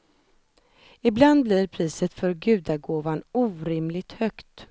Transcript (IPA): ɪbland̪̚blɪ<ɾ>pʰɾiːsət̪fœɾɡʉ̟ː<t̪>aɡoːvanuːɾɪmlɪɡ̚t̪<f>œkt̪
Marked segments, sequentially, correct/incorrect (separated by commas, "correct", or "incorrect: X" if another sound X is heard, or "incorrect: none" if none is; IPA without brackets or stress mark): correct, incorrect: d̪, incorrect: h